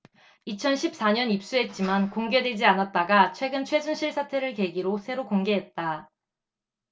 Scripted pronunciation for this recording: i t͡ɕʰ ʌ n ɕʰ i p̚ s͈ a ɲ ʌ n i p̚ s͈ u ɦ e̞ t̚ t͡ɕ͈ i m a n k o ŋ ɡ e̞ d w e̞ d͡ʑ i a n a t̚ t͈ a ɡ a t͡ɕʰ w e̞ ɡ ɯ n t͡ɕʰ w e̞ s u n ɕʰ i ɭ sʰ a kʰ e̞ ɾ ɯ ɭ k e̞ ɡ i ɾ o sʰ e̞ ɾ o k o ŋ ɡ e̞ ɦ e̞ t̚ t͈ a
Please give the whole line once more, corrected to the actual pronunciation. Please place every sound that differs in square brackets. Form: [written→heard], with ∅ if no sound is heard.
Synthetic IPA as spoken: i t͡ɕʰ ʌ n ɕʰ i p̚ s͈ a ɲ ʌ n i p̚ s͈ u ɦ e̞ t̚ t͡ɕ͈ i m a n k o ŋ ɡ e̞ d w e̞ d͡ʑ i a n a t̚ t͈ a ɡ a t͡ɕʰ w e̞ ɡ ɯ n t͡ɕʰ w e̞ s u n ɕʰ i ɭ sʰ a [kʰ→tʰ] e̞ ɾ ɯ ɭ k e̞ ɡ i ɾ o sʰ e̞ ɾ o k o ŋ ɡ e̞ ɦ e̞ t̚ t͈ a